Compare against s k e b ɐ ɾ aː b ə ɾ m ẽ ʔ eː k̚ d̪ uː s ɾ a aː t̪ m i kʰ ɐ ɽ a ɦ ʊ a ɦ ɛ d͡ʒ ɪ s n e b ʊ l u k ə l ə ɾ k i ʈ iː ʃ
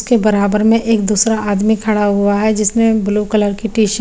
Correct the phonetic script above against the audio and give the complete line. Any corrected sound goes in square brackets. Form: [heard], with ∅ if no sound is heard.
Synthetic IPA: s k e b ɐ ɾ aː b ə ɾ m ẽ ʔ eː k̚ d̪ uː s ɾ a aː [d̪] m i kʰ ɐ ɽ a ɦ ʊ a ɦ ɛ d͡ʒ ɪ s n e b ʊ l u k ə l ə ɾ k i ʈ iː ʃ